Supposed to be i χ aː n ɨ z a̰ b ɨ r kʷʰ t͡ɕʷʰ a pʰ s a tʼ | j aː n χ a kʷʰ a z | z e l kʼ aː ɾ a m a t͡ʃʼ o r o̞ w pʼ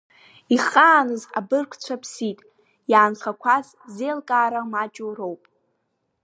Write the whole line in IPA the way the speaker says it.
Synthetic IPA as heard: i χ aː n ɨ z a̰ b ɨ r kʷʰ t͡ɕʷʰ a pʰ s i tʼ | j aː n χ a kʷʰ a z | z e l kʼ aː ɾ a m a t͡ʃʼ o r o̞ w pʼ